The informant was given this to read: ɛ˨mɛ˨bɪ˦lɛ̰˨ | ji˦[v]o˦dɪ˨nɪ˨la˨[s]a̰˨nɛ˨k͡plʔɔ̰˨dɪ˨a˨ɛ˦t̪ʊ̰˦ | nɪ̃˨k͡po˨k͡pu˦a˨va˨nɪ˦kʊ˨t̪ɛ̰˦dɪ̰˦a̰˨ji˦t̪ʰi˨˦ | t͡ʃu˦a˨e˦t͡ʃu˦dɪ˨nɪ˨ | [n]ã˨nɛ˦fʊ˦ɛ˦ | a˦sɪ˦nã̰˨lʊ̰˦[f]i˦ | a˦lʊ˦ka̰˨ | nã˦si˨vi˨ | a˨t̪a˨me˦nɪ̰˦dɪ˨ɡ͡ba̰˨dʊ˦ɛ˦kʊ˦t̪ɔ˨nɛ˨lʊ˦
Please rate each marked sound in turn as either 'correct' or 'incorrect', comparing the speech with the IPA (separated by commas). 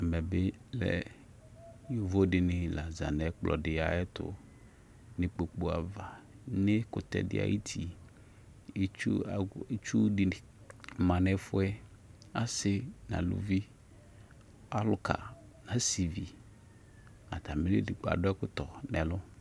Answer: correct, incorrect, incorrect, incorrect